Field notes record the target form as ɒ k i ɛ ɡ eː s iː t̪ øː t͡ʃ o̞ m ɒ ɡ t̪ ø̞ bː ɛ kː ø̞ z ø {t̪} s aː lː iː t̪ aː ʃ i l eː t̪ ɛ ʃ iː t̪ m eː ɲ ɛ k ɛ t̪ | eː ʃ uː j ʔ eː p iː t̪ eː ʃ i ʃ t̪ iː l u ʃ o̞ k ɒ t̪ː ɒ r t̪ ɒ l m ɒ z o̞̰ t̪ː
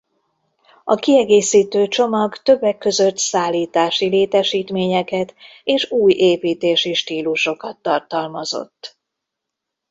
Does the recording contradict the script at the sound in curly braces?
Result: no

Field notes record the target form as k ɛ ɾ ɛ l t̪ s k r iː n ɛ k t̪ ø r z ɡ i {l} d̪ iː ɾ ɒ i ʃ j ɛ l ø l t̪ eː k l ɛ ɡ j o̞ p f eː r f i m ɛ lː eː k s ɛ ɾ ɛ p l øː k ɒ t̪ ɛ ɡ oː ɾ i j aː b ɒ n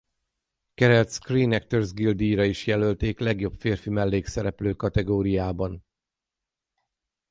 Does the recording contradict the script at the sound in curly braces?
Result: no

